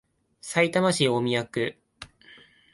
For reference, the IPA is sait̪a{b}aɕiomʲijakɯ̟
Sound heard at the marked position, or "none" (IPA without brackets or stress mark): m